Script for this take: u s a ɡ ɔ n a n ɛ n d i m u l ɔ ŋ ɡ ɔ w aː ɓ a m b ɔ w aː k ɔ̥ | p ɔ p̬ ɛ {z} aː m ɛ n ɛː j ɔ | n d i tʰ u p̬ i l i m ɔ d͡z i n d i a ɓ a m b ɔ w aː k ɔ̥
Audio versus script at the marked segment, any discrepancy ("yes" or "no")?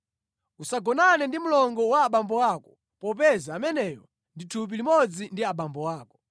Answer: no